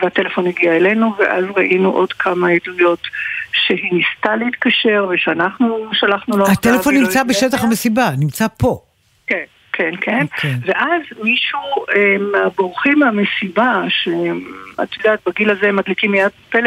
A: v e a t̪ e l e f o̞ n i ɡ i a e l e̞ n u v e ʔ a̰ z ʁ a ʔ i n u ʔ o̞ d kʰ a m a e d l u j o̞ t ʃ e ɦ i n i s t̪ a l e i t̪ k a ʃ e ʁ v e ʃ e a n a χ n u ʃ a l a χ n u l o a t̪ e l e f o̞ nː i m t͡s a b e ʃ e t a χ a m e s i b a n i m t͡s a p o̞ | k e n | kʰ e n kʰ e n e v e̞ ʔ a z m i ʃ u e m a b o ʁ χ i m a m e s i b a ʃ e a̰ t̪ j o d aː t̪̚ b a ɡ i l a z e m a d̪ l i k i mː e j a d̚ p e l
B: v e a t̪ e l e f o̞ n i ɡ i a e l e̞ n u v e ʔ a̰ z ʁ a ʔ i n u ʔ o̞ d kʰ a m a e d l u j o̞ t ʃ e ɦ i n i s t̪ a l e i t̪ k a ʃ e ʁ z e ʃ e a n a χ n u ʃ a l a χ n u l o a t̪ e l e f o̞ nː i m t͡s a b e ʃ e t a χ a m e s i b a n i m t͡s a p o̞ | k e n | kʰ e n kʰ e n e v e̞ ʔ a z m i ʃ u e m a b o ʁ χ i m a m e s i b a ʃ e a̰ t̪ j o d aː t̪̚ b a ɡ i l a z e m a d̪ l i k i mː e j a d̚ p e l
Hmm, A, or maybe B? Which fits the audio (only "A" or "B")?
A